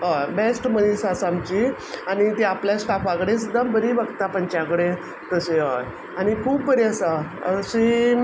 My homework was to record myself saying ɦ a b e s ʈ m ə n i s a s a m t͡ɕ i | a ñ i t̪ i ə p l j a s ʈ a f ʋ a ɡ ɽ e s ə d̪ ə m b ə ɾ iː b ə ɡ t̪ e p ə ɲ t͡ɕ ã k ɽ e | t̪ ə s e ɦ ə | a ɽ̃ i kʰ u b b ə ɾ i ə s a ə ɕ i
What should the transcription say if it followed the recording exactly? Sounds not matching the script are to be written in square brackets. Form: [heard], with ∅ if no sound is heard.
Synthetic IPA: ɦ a b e s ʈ m ə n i s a s a m t͡ɕ i | a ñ i t̪ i [a] p l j a s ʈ a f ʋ a ɡ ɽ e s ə d̪ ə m b ə ɾ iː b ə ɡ t̪ [a] p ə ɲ t͡ɕ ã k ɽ e | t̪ ə s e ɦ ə | a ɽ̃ i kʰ [uː] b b ə ɾ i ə s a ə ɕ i